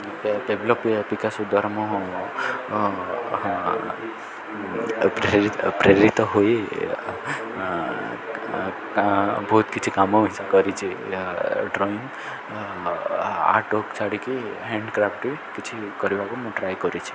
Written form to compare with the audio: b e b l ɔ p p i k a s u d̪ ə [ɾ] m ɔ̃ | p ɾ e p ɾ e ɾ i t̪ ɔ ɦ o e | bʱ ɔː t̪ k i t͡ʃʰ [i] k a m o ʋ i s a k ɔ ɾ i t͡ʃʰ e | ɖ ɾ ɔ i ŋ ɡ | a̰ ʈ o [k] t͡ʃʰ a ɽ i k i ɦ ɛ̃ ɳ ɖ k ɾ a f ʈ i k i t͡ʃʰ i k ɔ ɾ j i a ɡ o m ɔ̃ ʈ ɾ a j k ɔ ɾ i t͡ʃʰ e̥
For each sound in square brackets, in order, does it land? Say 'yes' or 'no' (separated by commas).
yes, yes, yes